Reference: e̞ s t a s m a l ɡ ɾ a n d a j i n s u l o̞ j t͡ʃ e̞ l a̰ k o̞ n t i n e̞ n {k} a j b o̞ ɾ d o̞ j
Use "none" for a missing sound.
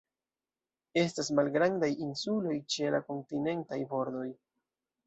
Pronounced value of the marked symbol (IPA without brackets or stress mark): t